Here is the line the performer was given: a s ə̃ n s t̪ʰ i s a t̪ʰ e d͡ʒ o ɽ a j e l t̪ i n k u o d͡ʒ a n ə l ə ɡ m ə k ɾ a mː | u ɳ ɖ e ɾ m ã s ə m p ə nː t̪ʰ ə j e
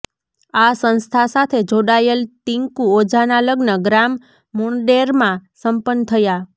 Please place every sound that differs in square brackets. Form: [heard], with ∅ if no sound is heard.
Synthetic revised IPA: a s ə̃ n s t̪ʰ [a] s a t̪ʰ e d͡ʒ o ɽ a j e l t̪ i [ŋ] k u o d͡ʒ a n [a] l ə ɡ [n] ə [ɡ] ɾ a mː | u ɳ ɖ e ɾ m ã s ə m p ə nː t̪ʰ ə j [a]

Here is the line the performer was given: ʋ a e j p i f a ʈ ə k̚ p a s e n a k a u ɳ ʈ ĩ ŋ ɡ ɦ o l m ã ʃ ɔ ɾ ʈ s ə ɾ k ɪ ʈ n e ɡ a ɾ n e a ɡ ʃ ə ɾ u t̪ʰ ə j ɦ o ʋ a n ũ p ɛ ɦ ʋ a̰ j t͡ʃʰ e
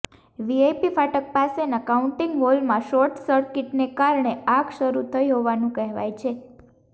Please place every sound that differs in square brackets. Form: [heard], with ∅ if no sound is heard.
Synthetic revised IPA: ʋ [i] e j p i f a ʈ ə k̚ p a s e n a k a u ɳ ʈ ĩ ŋ ɡ ɦ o l m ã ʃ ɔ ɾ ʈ s ə ɾ k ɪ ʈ n e [k] a ɾ [ɳ] e a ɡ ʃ ə ɾ u t̪ʰ ə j ɦ o ʋ a n ũ [k] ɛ ɦ ʋ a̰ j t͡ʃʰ e

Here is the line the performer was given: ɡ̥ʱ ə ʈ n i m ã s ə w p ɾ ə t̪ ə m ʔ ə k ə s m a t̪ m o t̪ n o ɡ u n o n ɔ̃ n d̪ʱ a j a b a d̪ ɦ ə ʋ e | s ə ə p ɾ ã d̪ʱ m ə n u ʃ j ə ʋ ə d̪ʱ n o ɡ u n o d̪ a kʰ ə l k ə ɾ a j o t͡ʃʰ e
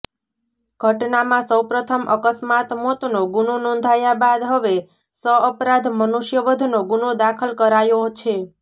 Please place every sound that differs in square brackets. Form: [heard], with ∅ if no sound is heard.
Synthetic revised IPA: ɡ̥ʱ ə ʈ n [a] m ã s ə w p ɾ ə [t̪ʰ] ə m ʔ ə k ə s m a t̪ m o t̪ n o ɡ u n o n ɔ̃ n d̪ʱ a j a b a d̪ ɦ ə ʋ e | s ə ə p ɾ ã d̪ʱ m ə n u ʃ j ə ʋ ə d̪ʱ n o ɡ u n o d̪ a kʰ ə l k ə ɾ a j o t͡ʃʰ e

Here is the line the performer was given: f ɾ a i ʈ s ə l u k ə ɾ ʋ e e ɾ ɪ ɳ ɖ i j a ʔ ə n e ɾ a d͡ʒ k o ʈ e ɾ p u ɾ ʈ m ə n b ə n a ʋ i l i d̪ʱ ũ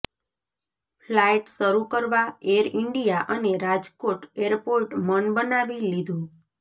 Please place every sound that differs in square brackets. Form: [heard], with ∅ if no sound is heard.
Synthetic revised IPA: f [l] a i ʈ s ə [ɾ] u k ə ɾ ʋ [a] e ɾ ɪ ɳ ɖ i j a ʔ ə n e ɾ a d͡ʒ k o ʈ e ɾ p [o] ɾ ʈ m ə n b ə n a ʋ i l i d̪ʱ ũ

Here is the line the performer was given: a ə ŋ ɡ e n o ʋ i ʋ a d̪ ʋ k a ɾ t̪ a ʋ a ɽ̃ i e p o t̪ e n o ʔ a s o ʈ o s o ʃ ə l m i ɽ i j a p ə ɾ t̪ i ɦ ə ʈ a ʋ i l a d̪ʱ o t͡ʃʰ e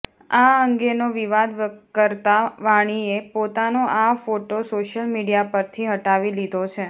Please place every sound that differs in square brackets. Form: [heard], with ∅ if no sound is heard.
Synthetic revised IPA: a ə ŋ ɡ e n o ʋ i ʋ a d̪ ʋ k [ə] ɾ t̪ a ʋ a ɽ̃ i e p o t̪ [a] n o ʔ a [f] o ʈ o s o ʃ ə l m i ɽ i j a p ə ɾ [t̪ʰ] i ɦ ə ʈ a ʋ i l [i] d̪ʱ o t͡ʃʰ e

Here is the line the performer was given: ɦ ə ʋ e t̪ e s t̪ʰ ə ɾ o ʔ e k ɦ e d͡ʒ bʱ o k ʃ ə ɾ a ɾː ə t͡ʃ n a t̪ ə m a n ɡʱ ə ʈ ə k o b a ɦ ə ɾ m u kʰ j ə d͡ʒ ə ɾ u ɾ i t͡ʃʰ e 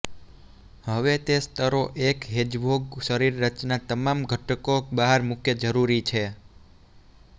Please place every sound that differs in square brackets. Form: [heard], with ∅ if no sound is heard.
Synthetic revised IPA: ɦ ə ʋ e t̪ e s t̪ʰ ə ɾ o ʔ e k ɦ e d͡ʒ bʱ o [ɡ] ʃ ə ɾ [i] ɾː ə t͡ʃ n a t̪ ə m a [m] ɡʱ ə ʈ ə k o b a ɦ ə ɾ m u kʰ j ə d͡ʒ ə ɾ u ɾ i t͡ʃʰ e

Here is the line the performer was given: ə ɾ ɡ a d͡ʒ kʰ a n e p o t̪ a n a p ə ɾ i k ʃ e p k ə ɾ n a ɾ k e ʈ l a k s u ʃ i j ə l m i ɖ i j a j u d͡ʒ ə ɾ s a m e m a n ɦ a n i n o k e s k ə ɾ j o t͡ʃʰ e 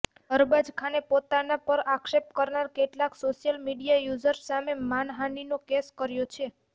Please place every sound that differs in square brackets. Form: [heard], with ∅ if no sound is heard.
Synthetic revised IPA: ə ɾ [b] a d͡ʒ kʰ a n e p o t̪ a n a p ə ɾ [a] k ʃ e p k ə ɾ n a ɾ k e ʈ l a k s [o] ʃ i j ə l m i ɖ i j a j u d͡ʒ ə ɾ s a m e m a n ɦ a n i n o k e s k ə ɾ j o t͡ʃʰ e

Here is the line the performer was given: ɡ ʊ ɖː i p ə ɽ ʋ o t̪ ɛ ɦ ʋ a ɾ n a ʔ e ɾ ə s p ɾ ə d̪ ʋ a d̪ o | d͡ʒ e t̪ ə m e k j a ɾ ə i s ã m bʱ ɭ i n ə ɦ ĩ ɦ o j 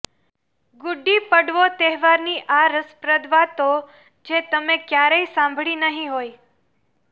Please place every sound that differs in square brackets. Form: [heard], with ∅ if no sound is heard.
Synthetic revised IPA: ɡ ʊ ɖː i p ə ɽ ʋ o t̪ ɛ ɦ ʋ a ɾ n [i] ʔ [a] ɾ ə s p ɾ ə d̪ ʋ a [t̪] o | d͡ʒ e t̪ ə m e k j a ɾ ə i s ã m bʱ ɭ i n ə ɦ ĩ ɦ o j

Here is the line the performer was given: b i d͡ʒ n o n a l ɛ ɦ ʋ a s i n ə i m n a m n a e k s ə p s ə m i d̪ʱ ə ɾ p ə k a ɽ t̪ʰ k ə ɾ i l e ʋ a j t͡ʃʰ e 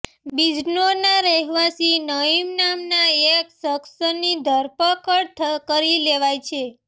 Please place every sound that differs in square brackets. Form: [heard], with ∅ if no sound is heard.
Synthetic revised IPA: b i d͡ʒ n o n a [ɾ] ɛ ɦ ʋ a s i n ə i m n a m n a e k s ə [k] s ə [n] i d̪ʱ ə ɾ p ə k [ə] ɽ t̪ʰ k ə ɾ i l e ʋ a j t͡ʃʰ e

